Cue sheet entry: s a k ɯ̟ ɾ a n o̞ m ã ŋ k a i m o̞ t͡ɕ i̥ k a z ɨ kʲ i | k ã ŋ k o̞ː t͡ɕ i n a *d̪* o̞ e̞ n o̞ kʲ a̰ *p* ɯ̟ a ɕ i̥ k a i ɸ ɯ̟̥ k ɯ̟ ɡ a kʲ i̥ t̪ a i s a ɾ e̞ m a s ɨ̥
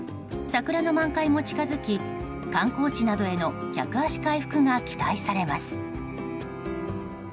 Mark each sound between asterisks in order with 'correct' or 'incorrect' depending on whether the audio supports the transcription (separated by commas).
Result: correct, incorrect